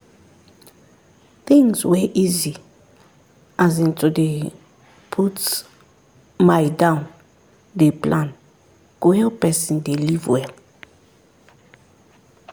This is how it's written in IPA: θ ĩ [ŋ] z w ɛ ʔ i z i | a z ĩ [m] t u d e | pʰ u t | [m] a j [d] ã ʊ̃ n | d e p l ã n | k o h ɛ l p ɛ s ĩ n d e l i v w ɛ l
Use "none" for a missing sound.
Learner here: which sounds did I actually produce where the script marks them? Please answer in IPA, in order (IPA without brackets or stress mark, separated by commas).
ŋ, n, m, d